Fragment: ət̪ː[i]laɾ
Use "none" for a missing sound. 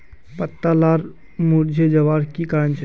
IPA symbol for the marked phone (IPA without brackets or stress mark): a